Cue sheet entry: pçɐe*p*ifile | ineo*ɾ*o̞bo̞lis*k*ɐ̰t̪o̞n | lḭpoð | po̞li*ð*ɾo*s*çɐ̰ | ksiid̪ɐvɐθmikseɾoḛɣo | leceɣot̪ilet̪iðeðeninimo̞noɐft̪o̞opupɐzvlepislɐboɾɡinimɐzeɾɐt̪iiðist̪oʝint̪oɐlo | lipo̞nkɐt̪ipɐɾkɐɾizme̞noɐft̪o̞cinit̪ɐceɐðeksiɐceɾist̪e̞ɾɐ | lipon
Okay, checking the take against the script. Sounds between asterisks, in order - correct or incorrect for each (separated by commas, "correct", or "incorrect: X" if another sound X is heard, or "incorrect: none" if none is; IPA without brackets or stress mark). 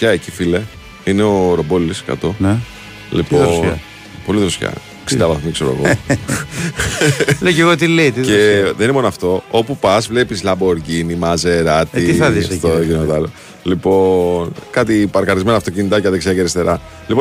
incorrect: c, correct, correct, correct, correct